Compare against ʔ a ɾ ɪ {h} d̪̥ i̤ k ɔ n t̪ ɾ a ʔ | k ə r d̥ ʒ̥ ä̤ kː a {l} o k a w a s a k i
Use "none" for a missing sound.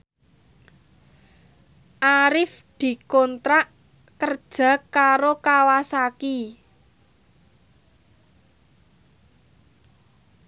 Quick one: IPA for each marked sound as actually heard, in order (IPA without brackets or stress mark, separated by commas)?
f, ɾ